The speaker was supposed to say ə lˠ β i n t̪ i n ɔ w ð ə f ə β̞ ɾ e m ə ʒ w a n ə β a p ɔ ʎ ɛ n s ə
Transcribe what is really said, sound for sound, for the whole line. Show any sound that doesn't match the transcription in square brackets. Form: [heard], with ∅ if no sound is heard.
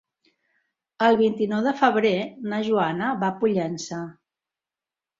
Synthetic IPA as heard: ə lˠ β i n t̪ i n ɔ w ð ə f ə β̞ ɾ e [n] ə ʒ [u] a n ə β a p [u] ʎ ɛ n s ə

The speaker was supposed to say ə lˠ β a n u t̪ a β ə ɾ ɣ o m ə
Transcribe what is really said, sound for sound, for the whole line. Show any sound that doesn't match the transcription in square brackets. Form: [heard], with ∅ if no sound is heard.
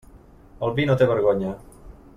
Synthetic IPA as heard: ə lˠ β [i] n [o] t̪ [e] β ə ɾ ɣ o [ɲ] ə

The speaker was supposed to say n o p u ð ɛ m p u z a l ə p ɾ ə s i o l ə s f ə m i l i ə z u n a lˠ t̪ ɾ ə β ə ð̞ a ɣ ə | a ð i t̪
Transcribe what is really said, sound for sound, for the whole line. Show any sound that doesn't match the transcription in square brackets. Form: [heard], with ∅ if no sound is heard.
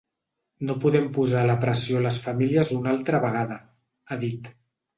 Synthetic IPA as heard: n o p u ð ɛ m p u z a l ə p ɾ ə s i o l ə s f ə m i l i ə z u n a lˠ t̪ ɾ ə β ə [ɣ̞] a [ð] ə | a ð i t̪

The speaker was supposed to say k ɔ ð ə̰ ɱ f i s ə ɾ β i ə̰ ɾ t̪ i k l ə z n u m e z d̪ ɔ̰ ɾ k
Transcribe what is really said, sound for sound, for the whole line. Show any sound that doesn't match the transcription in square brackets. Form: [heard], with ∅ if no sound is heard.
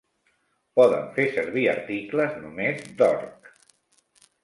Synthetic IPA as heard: [p] ɔ ð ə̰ ɱ f [e] s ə ɾ β i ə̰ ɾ t̪ i k l ə z n u m e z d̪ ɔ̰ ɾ k

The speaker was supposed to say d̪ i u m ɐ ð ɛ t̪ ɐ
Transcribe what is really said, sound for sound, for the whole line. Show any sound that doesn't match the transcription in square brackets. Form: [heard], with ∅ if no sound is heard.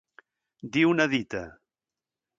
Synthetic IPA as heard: d̪ i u [n] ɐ ð [i] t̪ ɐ

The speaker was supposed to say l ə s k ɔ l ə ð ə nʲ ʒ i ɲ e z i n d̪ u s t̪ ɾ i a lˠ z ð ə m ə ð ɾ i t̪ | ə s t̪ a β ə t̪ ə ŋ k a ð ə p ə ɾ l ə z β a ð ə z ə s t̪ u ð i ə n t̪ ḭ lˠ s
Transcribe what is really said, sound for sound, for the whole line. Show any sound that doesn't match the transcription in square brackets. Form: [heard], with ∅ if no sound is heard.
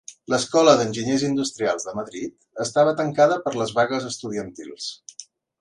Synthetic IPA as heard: l ə s k ɔ l ə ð ə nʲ ʒ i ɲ e z i n d̪ u s t̪ ɾ i a lˠ z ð ə m ə ð ɾ i t̪ | ə s t̪ a β ə t̪ ə ŋ k a ð ə p ə ɾ l ə z β a [ɣ] ə z ə s t̪ u ð i ə n t̪ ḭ lˠ s

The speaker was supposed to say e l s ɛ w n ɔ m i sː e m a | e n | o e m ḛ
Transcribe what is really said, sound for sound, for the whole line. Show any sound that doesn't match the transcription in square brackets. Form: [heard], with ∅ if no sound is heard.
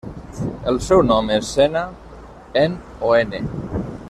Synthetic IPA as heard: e l s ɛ w n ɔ m [e] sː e [n] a | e n | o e [n] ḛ

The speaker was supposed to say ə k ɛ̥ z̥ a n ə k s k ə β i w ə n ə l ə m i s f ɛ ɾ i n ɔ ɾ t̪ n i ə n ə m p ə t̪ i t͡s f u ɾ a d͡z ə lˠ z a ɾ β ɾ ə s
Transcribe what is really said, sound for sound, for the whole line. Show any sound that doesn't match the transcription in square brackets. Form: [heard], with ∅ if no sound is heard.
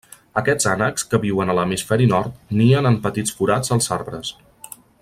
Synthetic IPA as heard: ə k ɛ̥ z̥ a n ə k s k ə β i w ə n ə l ə m i s f ɛ ɾ i n ɔ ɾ t̪ n i ə n ə m p ə t̪ i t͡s f u ɾ a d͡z ə lˠ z a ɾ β ɾ ə s

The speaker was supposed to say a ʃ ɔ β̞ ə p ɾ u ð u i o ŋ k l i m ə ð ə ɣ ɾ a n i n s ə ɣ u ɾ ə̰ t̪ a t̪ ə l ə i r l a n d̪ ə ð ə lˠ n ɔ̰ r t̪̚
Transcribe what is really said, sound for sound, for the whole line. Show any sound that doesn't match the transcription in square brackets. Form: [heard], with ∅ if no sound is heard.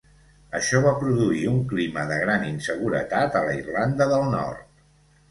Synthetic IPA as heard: [ə] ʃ ɔ β̞ [a] p ɾ u ð u i [u] ŋ k l i m ə ð ə ɣ ɾ a n i n s ə ɣ u ɾ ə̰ t̪ a t̪ ə l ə i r l a n d̪ ə ð ə lˠ n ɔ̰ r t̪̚

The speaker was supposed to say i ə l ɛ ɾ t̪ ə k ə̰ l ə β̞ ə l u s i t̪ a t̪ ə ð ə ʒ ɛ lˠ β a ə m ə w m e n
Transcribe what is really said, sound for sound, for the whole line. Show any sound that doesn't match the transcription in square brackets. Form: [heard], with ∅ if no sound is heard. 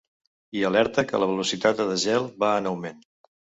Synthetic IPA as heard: i ə l ɛ ɾ t̪ ə k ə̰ l ə β̞ ə l u s i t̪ a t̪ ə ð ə ʒ ɛ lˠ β a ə [n] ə w m e n

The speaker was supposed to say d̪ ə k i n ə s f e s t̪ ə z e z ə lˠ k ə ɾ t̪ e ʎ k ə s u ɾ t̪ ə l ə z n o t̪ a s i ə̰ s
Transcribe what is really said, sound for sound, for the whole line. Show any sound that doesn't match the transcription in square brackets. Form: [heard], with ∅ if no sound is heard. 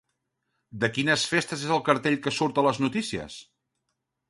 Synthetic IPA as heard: d̪ ə k i n ə s f e s t̪ ə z e z ə lˠ k ə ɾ t̪ e ʎ k ə s u ɾ t̪ ə l ə z n [u] t̪ [i] s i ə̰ s

